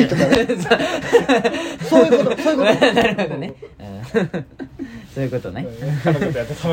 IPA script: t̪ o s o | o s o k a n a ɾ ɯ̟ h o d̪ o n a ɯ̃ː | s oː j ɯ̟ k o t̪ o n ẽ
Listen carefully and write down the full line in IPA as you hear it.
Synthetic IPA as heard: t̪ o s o | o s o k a n a ɾ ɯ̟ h o d̪ o n e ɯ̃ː | s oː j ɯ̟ k o t̪ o n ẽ